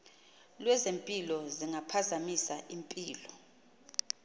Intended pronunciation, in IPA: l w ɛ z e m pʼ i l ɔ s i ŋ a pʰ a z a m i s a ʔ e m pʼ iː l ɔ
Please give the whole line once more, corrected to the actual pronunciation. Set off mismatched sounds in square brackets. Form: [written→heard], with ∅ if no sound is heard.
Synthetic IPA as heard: l w ɛ z e m pʼ i l ɔ [s→z] i ŋ a pʰ a z a m i s a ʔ [e→i] m pʼ iː l ɔ